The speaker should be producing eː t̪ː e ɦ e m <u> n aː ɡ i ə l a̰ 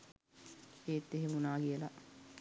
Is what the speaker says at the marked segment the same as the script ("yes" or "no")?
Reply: yes